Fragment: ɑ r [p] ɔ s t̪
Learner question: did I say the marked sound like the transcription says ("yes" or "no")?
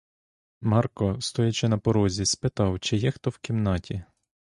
no